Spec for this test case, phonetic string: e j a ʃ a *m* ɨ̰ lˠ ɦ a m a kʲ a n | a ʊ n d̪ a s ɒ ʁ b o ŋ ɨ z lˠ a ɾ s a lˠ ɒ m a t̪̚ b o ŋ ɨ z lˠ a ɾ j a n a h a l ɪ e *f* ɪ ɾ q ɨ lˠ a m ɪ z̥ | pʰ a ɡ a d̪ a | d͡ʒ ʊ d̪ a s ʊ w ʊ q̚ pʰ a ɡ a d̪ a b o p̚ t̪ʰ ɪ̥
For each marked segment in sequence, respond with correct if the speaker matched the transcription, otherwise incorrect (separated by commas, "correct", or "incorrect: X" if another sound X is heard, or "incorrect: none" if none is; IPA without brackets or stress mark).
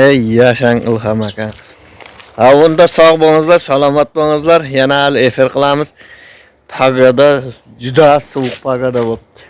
incorrect: ŋ, correct